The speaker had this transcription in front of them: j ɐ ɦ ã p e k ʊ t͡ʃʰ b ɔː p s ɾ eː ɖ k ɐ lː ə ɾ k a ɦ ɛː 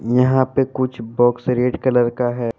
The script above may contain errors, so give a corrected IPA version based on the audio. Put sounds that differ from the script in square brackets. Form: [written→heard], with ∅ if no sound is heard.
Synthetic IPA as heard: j ɐ ɦ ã p e k ʊ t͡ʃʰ b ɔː [p→k] s ɾ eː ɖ k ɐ [lː→l] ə ɾ k a ɦ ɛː